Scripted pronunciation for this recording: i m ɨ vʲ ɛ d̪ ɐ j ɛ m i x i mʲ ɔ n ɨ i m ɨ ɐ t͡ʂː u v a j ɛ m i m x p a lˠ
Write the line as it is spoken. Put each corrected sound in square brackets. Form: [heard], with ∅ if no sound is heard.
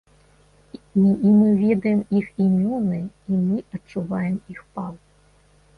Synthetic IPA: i m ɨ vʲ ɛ d̪ ɐ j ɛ m i x i mʲ ɔ n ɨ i m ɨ ɐ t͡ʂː u v a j ɛ m i [∅] x p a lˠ